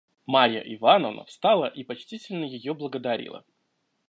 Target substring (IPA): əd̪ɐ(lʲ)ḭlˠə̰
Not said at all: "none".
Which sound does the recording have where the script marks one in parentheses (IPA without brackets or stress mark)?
ɾʲ